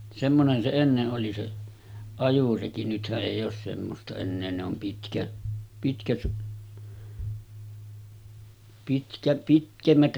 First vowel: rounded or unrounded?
unrounded